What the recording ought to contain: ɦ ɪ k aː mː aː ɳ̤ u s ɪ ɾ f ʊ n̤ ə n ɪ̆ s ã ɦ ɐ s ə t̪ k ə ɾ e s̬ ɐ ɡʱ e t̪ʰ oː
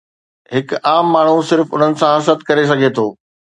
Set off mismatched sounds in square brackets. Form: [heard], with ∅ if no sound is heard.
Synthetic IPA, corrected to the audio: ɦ ɪ k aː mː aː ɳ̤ u s ɪ ɾ f ʊ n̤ ə n ɪ̆ s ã ɦ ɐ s ə t̪ k [ɐ] ɾ e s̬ ɐ ɡʱ e t̪ʰ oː